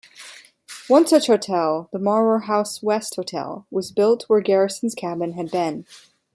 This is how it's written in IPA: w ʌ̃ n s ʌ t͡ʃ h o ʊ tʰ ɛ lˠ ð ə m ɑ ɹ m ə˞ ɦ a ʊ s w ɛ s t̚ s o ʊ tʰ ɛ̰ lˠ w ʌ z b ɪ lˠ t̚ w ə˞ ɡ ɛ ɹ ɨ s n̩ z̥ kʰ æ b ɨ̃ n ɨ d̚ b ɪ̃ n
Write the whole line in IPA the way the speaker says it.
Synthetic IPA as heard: w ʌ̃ n s ʌ t͡ʃ h o ʊ tʰ ɛ lˠ ð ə m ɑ ɹ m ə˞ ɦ a ʊ s w ɛ s t̚ h o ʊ tʰ ɛ̰ lˠ w ʌ z b ɪ lˠ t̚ w ə˞ ɡ ɛ ɹ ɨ s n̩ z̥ kʰ æ b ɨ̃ n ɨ d̚ b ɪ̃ n